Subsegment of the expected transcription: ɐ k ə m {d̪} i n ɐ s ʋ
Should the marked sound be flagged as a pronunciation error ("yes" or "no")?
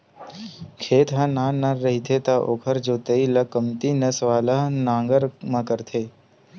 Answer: yes